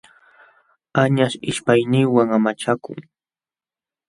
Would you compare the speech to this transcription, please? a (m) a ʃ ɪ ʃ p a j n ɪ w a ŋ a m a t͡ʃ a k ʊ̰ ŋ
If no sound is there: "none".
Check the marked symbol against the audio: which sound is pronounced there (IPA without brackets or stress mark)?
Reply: ɲ